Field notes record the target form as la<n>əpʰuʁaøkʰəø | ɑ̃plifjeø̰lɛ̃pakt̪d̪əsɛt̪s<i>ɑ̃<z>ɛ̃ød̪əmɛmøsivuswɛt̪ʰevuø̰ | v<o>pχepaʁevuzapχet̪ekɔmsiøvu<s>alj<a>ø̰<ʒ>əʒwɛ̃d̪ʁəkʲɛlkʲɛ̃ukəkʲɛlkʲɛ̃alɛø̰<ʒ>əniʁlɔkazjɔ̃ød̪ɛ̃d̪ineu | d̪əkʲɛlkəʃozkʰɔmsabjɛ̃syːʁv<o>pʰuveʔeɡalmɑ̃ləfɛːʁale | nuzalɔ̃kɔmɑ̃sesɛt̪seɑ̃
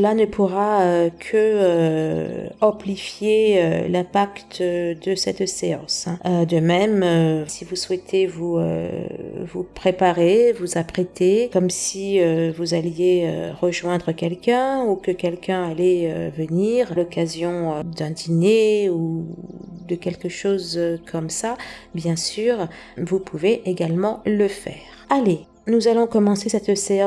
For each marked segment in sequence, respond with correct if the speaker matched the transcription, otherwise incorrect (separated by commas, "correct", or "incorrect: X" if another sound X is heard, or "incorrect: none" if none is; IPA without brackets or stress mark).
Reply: correct, incorrect: e, incorrect: s, incorrect: u, incorrect: z, incorrect: e, incorrect: ʁ, incorrect: v, incorrect: u